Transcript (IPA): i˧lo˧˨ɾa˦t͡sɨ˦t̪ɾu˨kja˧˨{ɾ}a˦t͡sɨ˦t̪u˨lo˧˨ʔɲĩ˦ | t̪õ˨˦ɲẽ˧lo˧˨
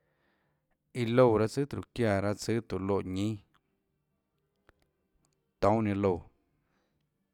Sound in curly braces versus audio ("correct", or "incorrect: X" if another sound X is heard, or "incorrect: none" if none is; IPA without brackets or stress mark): correct